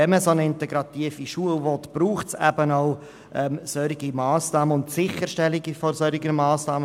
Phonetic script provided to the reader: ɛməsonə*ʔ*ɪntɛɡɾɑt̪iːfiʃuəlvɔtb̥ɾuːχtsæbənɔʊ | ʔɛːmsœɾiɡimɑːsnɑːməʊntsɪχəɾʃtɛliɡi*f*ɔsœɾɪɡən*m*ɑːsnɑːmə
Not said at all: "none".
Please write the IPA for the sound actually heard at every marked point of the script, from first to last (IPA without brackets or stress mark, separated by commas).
none, f, m